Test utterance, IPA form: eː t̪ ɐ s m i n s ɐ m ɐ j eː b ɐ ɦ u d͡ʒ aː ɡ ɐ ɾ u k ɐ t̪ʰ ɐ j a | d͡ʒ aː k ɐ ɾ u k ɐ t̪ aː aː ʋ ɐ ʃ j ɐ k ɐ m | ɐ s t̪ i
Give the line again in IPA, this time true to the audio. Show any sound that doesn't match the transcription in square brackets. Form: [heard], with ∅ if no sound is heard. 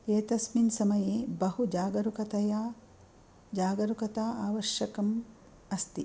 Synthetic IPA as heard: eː t̪ ɐ s m i n s ɐ m ɐ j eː b ɐ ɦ u d͡ʒ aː ɡ ɐ ɾ u k ɐ [t̪] ɐ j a | d͡ʒ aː [ɡ] ɐ ɾ u k ɐ t̪ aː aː ʋ ɐ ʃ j ɐ k ɐ m | ɐ s t̪ i